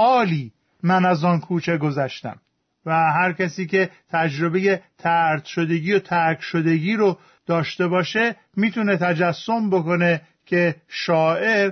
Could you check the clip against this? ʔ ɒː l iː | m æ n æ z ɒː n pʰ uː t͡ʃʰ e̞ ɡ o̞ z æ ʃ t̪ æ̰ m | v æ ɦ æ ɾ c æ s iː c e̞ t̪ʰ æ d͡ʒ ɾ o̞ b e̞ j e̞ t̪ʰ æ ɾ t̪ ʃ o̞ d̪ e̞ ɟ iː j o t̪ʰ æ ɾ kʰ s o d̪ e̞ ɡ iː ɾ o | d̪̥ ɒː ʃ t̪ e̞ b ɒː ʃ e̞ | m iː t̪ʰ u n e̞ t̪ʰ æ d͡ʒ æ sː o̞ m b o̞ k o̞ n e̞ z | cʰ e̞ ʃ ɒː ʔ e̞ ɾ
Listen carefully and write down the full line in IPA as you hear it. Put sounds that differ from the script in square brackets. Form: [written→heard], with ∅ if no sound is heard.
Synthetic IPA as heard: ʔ ɒː l iː | m æ n æ z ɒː n [pʰ→kʰ] uː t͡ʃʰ e̞ ɡ o̞ z æ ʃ t̪ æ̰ m | v æ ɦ æ ɾ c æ s iː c e̞ t̪ʰ æ d͡ʒ ɾ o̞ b e̞ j e̞ t̪ʰ æ ɾ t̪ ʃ o̞ d̪ e̞ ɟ iː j o t̪ʰ æ ɾ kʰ [s→ʃ] o d̪ e̞ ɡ iː ɾ o | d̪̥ ɒː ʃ t̪ e̞ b ɒː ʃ e̞ | m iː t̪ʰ u n e̞ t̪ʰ æ d͡ʒ æ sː o̞ m b o̞ k o̞ n e̞ [z→∅] | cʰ e̞ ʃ ɒː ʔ e̞ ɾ